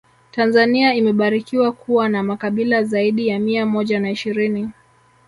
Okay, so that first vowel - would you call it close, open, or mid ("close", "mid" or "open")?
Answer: open